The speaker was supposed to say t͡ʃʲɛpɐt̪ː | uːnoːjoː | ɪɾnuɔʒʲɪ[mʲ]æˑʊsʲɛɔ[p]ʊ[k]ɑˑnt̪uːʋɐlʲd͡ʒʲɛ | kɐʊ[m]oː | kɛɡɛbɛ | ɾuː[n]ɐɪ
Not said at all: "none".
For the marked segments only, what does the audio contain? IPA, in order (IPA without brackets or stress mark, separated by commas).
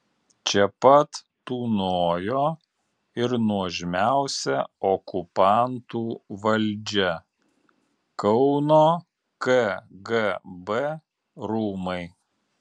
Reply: mʲ, k, p, n, m